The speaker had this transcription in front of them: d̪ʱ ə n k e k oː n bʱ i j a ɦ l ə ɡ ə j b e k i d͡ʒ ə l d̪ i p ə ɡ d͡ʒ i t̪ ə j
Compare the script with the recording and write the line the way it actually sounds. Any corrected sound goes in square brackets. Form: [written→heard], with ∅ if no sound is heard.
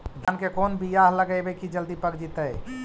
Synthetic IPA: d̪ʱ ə n k e k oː n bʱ i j a ɦ l ə ɡ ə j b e k i d͡ʒ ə l d̪ i p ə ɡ d͡ʒ i t̪ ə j